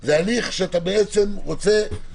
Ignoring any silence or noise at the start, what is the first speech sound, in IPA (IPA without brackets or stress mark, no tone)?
z